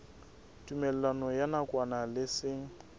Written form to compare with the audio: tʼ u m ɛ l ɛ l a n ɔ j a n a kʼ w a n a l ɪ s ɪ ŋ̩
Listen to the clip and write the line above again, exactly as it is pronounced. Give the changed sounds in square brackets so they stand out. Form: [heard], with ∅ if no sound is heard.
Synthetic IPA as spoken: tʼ u m ɛ l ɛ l a n ɔ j a n a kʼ w a n a l ɪ s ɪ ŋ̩